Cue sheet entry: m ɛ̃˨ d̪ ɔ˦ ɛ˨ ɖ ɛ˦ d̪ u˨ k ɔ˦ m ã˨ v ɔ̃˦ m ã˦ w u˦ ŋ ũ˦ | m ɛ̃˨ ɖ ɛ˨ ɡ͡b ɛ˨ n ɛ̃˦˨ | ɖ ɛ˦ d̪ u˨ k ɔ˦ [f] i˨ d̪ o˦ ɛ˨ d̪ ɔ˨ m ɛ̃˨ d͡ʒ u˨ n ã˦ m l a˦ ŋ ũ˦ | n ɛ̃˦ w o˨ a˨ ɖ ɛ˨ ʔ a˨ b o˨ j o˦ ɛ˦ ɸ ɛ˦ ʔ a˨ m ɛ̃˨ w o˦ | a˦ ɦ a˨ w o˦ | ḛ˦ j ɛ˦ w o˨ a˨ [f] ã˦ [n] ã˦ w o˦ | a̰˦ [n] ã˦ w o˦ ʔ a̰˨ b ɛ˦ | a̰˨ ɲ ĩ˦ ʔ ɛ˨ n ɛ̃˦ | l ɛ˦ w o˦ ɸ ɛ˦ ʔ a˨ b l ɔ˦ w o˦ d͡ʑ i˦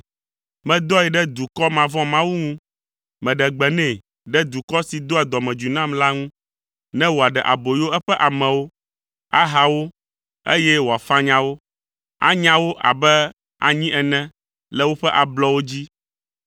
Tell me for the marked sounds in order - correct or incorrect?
incorrect, correct, incorrect, incorrect

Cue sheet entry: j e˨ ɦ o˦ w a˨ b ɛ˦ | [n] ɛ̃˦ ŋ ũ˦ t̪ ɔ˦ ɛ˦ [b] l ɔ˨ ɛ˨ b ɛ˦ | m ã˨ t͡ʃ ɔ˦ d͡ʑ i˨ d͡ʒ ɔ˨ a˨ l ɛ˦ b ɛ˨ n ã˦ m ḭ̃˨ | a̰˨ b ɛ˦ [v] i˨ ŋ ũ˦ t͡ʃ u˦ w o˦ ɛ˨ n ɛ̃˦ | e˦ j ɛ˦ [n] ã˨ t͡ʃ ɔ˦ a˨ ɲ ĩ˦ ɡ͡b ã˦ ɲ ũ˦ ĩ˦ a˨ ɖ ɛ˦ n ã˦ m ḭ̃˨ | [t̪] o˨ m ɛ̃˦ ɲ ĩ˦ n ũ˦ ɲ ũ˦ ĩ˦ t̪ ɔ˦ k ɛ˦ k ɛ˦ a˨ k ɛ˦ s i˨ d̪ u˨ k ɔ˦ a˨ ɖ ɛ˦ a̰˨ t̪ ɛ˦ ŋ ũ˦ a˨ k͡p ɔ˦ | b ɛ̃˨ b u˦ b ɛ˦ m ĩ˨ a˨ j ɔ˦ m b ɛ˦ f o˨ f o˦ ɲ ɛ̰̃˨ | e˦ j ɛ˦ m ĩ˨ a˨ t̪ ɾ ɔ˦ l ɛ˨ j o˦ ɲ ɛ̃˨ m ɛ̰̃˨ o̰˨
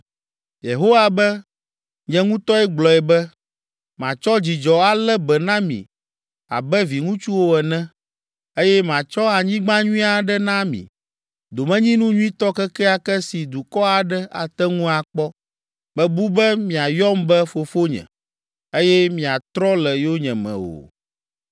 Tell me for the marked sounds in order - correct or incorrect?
incorrect, incorrect, correct, incorrect, incorrect

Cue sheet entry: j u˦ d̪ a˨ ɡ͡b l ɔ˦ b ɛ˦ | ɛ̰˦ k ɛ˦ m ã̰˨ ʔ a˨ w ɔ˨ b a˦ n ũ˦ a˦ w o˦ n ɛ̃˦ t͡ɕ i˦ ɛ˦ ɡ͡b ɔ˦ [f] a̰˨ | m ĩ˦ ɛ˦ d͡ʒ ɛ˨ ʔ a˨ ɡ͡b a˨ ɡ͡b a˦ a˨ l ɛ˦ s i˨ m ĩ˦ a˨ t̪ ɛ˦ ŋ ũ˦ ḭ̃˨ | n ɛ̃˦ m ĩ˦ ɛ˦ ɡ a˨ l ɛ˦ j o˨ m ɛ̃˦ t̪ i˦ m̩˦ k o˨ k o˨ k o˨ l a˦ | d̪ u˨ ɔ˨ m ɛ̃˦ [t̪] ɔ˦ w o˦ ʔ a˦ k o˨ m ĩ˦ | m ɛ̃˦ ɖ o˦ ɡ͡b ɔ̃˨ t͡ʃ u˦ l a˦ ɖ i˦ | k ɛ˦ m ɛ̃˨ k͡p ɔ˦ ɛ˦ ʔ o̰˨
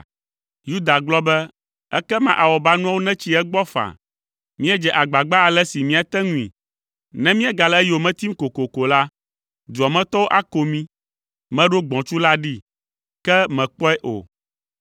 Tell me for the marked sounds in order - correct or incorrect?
correct, correct

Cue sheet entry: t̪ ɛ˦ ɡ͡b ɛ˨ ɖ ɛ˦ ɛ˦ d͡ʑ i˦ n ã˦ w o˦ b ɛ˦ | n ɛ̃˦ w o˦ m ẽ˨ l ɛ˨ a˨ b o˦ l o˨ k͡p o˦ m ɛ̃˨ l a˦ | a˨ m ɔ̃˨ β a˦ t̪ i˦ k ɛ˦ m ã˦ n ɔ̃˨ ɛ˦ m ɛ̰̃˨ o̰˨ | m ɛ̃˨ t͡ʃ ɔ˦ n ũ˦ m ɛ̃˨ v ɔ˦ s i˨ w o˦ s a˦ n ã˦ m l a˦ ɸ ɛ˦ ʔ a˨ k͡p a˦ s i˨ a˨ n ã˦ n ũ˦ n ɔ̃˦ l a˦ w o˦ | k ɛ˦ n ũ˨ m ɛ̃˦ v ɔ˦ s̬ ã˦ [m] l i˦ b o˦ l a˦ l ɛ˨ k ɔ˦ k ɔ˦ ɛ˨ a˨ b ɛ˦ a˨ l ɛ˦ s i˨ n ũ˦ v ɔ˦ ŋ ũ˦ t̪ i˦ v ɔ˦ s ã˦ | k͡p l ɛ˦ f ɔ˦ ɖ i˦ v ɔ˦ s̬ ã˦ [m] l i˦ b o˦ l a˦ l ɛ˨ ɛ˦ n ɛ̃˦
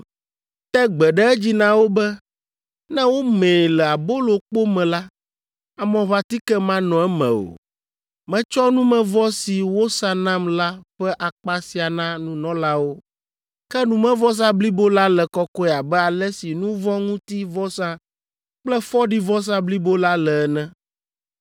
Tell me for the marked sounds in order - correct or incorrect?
incorrect, incorrect

